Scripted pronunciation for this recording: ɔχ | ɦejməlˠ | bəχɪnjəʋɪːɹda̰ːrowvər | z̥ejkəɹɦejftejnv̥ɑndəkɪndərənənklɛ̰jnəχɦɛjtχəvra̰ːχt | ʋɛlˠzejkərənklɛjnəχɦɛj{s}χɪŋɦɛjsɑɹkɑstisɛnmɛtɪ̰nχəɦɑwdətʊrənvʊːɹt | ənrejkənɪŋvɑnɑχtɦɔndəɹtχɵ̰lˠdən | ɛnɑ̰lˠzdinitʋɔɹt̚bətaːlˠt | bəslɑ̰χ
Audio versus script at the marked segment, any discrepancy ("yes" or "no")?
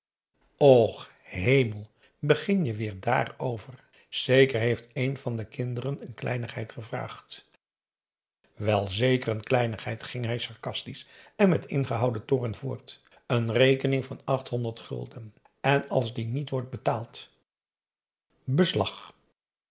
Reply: yes